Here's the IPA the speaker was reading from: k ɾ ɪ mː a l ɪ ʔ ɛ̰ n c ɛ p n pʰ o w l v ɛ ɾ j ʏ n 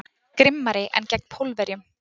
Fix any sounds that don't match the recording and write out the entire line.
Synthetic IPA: k ɾ ɪ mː a ɾ ɪ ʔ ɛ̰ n c ɛ k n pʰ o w l v ɛ ɾ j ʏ m